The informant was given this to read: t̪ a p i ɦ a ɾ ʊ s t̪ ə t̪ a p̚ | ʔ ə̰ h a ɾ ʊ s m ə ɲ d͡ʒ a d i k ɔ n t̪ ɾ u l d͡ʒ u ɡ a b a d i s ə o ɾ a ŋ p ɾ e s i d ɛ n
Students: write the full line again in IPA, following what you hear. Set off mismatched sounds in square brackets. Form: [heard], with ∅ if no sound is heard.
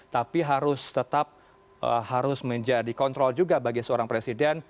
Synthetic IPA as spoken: t̪ a p i ɦ a ɾ ʊ s t̪ ə t̪ a p̚ | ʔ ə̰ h a ɾ ʊ s m ə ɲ d͡ʒ a d i k ɔ n t̪ ɾ [ɔ] l d͡ʒ u ɡ a b a [ɡ] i s ə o ɾ a ŋ p ɾ e s i d ɛ n